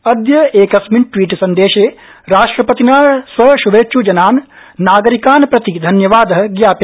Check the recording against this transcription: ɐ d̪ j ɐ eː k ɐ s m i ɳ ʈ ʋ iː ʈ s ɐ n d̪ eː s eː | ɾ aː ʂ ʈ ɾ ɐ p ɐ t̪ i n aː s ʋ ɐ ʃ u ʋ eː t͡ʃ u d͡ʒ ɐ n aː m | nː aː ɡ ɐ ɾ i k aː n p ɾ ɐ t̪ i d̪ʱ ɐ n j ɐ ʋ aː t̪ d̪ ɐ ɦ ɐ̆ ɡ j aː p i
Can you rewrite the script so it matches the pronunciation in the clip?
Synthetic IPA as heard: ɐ d̪ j ɐ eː k ɐ s m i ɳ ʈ ʋ iː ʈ s ɐ n d̪ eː ʃ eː | ɾ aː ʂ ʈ ɾ ɐ p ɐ t̪ i n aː s ʋ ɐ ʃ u ʋ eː t͡ʃ u d͡ʒ ɐ n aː n | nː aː ɡ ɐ ɾ i k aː n p ɾ ɐ t̪ i d̪ʱ ɐ n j ɐ ʋ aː d̪ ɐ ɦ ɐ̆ ɡ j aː p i